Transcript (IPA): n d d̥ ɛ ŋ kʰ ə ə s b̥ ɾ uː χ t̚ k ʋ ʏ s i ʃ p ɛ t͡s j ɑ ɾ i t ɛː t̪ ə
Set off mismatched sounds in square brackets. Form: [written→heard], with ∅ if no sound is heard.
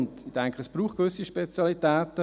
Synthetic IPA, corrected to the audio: n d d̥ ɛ ŋ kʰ ə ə s b̥ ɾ uː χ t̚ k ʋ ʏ s i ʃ p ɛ t͡s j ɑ [ɾ→l] i t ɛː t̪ ə